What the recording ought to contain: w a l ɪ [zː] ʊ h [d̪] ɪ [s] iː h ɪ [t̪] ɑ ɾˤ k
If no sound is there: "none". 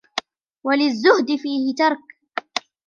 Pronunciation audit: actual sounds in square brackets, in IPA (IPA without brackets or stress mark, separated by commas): zː, d̪, f, t̪